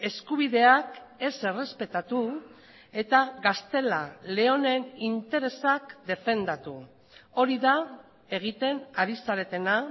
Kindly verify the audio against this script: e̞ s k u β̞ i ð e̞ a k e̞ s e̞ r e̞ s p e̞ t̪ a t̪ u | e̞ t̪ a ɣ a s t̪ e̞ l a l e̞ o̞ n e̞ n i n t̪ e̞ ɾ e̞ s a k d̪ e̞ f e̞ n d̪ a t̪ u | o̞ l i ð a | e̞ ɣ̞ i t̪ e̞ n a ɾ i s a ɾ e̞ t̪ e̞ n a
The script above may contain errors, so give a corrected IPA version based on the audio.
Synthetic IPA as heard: e̞ s k u β̞ i ð e̞ a k e̞ s e̞ r e̞ s p e̞ t̪ a t̪ u | e̞ t̪ a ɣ a s t̪ e̞ l a l e̞ o̞ n e̞ n i n t̪ e̞ ɾ e̞ s a k d̪ e̞ f e̞ n d̪ a t̪ u | o̞ ɾ i ð a | e̞ ɣ̞ i t̪ e̞ n a ɾ i s a ɾ e̞ t̪ e̞ n a